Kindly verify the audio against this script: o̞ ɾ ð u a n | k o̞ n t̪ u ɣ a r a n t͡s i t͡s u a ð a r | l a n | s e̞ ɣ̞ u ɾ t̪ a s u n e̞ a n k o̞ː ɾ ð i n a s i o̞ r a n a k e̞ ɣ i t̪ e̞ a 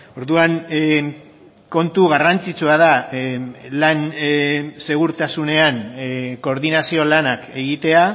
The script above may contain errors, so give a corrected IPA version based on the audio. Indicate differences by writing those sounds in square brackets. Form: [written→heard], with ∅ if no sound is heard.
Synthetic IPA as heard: o̞ ɾ ð u a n | k o̞ n t̪ u ɣ a r a n t͡s i t͡s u a ð a [r→∅] | l a n | s e̞ ɣ̞ u ɾ t̪ a s u n e̞ a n k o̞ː ɾ ð i n a s i o̞ [r→l] a n a k e̞ ɣ i t̪ e̞ a